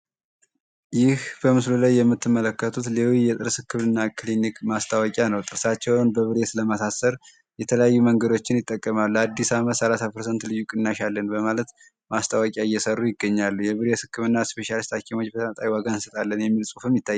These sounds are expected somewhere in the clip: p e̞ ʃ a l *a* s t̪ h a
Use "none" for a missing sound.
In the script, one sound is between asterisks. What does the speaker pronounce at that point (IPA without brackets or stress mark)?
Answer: i